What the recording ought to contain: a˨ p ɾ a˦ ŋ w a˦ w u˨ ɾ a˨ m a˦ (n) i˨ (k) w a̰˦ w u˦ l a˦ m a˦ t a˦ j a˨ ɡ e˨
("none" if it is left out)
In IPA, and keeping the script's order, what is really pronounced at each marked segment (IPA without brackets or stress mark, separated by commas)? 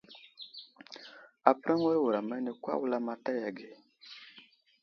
n, k